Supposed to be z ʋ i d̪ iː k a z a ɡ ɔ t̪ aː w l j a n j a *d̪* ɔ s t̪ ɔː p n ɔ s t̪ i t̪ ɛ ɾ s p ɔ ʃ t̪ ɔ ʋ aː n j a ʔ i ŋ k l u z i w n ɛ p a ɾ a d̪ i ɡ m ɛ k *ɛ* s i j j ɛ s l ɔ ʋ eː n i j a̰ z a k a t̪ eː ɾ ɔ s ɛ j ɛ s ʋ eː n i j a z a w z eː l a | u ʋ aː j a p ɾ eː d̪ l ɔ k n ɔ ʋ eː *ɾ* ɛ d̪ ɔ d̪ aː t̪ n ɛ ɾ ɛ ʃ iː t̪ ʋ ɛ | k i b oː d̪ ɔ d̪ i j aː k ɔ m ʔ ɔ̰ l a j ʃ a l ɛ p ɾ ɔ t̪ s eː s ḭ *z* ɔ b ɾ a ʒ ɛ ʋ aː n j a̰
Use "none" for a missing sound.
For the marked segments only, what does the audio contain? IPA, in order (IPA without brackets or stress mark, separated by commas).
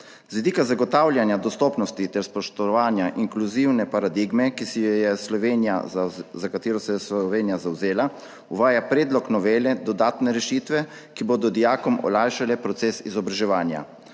d̪, i, l, z